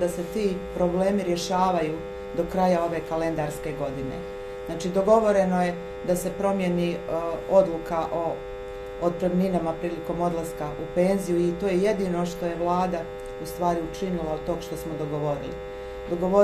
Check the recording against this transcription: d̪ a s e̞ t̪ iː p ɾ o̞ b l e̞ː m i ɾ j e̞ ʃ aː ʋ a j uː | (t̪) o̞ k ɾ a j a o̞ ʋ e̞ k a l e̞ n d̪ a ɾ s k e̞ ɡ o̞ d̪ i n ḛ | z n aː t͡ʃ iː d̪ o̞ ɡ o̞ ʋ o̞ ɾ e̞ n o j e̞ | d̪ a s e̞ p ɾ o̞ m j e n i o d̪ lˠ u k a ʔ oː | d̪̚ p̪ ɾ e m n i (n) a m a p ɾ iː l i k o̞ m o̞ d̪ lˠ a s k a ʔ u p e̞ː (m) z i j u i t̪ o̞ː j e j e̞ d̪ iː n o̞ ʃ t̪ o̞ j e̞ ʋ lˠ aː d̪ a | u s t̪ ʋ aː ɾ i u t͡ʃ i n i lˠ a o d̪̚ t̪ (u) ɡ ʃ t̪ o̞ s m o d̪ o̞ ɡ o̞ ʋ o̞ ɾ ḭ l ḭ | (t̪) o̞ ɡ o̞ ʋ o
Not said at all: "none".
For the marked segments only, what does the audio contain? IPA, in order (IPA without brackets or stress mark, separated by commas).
d̪, n, n, o, d̪